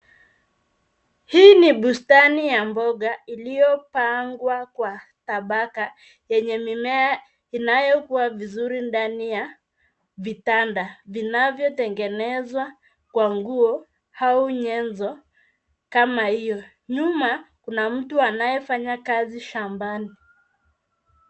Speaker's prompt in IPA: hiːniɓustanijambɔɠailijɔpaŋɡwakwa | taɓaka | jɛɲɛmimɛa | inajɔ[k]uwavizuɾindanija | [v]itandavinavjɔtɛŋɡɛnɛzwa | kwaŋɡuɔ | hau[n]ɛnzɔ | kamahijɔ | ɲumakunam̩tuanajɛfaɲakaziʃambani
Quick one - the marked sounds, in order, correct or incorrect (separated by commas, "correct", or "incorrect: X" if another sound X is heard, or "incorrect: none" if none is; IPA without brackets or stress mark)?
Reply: correct, correct, incorrect: ɲ